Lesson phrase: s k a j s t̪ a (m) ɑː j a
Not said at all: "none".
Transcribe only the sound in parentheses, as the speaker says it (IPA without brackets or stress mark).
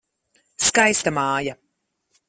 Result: m